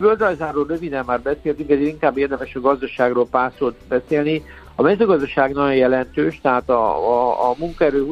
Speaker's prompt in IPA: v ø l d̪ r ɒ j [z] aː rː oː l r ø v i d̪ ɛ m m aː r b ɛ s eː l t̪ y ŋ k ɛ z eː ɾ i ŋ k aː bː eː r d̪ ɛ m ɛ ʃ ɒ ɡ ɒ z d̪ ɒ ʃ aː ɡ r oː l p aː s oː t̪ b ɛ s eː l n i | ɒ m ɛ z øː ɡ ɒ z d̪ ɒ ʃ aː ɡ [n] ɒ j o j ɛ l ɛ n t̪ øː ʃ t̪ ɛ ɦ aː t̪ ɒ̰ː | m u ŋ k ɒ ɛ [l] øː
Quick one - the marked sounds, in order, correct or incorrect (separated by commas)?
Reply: correct, correct, incorrect